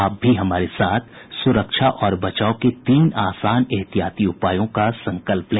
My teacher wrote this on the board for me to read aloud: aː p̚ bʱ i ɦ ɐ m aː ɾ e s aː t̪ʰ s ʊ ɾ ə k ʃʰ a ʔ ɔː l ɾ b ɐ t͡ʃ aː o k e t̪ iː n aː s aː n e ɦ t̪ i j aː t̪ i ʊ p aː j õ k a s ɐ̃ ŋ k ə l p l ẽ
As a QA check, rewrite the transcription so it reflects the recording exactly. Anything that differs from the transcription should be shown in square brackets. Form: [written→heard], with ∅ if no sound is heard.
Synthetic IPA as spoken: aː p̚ bʱ i ɦ ɐ m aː ɾ e s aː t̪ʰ s ʊ ɾ ə k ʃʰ a ʔ ɔː [l→∅] ɾ b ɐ t͡ʃ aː o k e t̪ iː n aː s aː n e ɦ t̪ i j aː t̪ i ʊ p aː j õ k a s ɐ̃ ŋ k ə l p l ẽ